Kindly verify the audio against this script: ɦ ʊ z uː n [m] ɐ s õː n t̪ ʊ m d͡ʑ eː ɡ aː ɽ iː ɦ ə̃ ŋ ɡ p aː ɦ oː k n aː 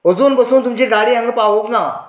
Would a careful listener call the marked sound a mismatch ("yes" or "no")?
yes